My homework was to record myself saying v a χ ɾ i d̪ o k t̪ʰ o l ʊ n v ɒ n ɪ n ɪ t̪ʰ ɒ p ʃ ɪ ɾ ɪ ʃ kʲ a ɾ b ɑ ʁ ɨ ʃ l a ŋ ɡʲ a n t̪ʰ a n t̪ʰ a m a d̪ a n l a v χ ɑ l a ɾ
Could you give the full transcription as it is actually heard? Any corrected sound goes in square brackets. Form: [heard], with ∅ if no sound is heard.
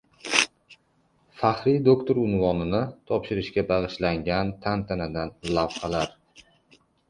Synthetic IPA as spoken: [f] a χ ɾ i d̪ o k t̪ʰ o [ɾ] ʊ n v ɒ n ɪ n ɪ t̪ʰ ɒ p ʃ ɪ ɾ ɪ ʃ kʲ a [∅] b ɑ ʁ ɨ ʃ l a ŋ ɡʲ a n t̪ʰ a n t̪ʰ a [n] a d̪ a n l a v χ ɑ l a ɾ

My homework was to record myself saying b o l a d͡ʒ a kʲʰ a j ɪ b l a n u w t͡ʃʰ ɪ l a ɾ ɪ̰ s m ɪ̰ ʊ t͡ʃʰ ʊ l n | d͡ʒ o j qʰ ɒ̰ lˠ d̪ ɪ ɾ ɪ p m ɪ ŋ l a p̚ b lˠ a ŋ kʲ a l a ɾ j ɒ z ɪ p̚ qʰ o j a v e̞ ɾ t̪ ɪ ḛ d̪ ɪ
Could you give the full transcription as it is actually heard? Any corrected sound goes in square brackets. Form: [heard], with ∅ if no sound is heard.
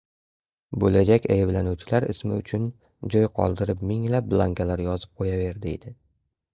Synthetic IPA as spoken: b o l a d͡ʒ a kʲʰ a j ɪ b l a n u w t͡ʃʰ ɪ l a ɾ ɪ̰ s m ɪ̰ ʊ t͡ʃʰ ʊ [∅] n | d͡ʒ [ɒ] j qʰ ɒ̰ lˠ d̪ ɪ ɾ ɪ p m ɪ ŋ l a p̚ b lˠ a ŋ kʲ a l a ɾ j ɒ z ɪ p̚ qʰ o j a v e̞ ɾ [d̪] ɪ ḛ d̪ ɪ

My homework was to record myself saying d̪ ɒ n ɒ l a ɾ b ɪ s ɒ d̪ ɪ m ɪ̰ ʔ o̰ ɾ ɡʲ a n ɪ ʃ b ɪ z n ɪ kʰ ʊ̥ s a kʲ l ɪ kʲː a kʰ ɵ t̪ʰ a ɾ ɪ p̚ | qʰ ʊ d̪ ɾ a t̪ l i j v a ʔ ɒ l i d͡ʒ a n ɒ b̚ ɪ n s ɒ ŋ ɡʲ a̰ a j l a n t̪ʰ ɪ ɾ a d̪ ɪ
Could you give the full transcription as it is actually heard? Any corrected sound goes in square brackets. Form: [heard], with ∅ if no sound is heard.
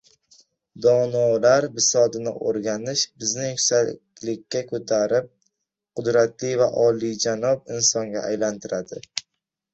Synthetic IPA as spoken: d̪ ɒ n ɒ l a ɾ b ɪ s ɒ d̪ ɪ [n] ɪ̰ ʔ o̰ ɾ ɡʲ a n ɪ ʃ b ɪ z n ɪ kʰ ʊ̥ s a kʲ l ɪ kʲː a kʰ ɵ t̪ʰ a ɾ ɪ p̚ | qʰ ʊ d̪ ɾ a t̪ l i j v a ʔ ɒ l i d͡ʒ a n ɒ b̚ ɪ n s ɒ ŋ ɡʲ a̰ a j l a n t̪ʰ ɪ ɾ a d̪ ɪ

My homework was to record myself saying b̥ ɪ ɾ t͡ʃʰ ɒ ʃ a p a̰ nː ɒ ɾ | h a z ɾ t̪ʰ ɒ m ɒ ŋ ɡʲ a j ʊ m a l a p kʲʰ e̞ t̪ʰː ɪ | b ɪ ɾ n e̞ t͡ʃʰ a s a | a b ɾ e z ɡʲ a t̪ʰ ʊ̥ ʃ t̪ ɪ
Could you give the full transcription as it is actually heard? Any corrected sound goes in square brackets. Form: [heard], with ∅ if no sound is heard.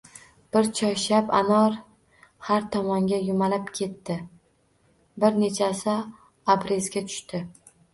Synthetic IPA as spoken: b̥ ɪ ɾ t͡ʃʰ ɒ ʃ a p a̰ [n] ɒ ɾ | h a [∅] ɾ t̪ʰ ɒ m ɒ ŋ ɡʲ a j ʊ m a l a p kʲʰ e̞ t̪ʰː ɪ | b ɪ ɾ n e̞ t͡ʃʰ a s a | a b ɾ e z ɡʲ a t̪ʰ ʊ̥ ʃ t̪ ɪ

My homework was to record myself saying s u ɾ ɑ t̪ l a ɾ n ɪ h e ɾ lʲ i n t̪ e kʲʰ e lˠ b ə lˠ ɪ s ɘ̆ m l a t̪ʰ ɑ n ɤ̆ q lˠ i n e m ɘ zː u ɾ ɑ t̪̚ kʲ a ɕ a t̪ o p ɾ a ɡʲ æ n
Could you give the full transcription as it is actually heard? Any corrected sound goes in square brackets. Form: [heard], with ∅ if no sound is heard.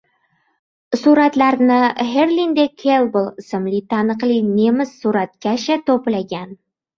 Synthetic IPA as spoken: s u ɾ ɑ t̪ l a ɾ n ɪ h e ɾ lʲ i n [d̪] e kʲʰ e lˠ b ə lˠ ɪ s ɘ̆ m l [i] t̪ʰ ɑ n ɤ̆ q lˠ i n e m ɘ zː u ɾ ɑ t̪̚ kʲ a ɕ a t̪ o p [l] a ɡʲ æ n

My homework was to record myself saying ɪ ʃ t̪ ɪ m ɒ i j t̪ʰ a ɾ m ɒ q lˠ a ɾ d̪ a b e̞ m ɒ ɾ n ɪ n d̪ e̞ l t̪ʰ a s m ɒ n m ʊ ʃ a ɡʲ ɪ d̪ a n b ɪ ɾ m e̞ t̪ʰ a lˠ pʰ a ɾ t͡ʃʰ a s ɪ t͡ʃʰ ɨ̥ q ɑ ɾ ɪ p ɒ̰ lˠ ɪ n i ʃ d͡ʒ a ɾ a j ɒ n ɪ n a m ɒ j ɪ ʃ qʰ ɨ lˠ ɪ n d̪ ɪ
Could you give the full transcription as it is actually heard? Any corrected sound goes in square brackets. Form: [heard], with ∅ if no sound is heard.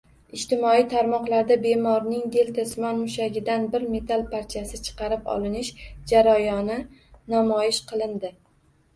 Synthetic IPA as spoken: ɪ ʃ t̪ ɪ m ɒ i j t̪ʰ a ɾ m ɒ q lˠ a ɾ d̪ a b e̞ m ɒ ɾ n ɪ [ŋ] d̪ e̞ l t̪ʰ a s m ɒ n m ʊ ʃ a ɡʲ ɪ d̪ a n b ɪ ɾ m e̞ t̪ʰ a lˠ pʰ a ɾ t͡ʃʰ a s ɪ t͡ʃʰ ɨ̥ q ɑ ɾ ɪ p ɒ̰ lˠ ɪ n [ɪ] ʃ d͡ʒ a ɾ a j ɒ n ɪ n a m ɒ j ɪ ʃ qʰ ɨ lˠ ɪ n d̪ ɪ

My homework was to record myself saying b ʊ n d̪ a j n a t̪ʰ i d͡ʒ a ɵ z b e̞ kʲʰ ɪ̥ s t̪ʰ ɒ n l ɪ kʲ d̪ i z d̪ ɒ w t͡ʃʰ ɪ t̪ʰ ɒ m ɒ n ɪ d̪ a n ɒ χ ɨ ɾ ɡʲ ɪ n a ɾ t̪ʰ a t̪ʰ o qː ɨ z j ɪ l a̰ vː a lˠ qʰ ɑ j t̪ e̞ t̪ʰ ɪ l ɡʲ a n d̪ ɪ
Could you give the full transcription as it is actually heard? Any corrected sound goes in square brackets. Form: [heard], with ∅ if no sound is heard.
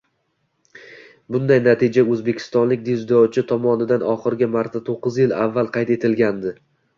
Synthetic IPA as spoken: b ʊ n d̪ a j n a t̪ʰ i d͡ʒ a ɵ z b e̞ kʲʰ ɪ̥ s [t̪] ɒ n l ɪ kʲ d̪ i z d̪ ɒ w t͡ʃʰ ɪ t̪ʰ ɒ m ɒ n ɪ d̪ a n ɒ χ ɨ ɾ ɡʲ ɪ [m] a ɾ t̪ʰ a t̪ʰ o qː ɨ z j ɪ l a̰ vː a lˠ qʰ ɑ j t̪ e̞ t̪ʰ ɪ l ɡʲ a n d̪ ɪ

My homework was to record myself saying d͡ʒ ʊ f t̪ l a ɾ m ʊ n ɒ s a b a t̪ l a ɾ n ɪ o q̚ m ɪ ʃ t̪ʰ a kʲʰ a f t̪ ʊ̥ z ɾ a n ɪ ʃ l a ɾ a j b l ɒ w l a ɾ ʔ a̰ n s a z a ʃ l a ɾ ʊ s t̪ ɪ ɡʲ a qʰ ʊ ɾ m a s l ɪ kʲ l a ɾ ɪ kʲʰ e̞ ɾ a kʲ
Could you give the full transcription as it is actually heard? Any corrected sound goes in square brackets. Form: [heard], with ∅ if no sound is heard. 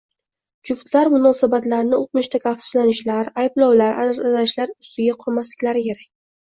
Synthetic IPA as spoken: d͡ʒ ʊ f t̪ l a ɾ m ʊ n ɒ s a b a t̪ l a ɾ n ɪ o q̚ m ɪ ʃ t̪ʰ a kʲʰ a f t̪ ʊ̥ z [l] a n ɪ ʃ l a ɾ a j b l ɒ w l a ɾ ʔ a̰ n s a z a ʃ l a ɾ ʊ s t̪ ɪ ɡʲ a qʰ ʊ ɾ m a s l ɪ kʲ l a ɾ ɪ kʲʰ e̞ ɾ a kʲ

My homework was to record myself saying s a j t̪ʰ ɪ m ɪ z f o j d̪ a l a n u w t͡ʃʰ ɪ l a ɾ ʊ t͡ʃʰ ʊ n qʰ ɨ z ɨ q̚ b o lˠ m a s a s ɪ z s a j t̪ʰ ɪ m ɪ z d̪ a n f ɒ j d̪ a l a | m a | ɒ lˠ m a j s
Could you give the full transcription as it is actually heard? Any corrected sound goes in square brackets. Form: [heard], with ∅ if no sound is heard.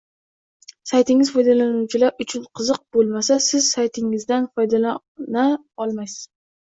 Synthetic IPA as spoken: s a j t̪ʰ ɪ [ŋ] ɪ z f [ɒ] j d̪ a l a n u w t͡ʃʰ ɪ l a ɾ ʊ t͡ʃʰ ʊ n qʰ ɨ z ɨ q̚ b o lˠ m a s a s ɪ z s a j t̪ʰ ɪ [ŋ] ɪ z d̪ a n f ɒ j d̪ a l a | [n] a | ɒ lˠ m a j s

